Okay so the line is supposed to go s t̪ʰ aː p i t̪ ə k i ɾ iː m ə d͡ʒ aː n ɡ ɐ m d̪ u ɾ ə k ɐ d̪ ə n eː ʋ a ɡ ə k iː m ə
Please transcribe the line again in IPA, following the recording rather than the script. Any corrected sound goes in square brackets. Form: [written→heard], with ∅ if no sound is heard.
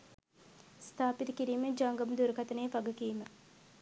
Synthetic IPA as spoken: s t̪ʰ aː p i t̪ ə k i ɾ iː m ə d͡ʒ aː [n→ŋ] ɡ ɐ m d̪ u ɾ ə k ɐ [d̪→t̪] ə n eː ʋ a ɡ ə k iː m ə